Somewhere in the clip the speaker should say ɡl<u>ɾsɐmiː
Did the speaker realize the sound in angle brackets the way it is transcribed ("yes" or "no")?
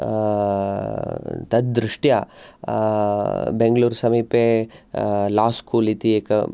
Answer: no